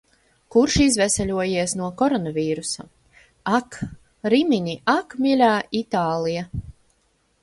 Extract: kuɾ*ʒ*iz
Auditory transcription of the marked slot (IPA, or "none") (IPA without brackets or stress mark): ʃ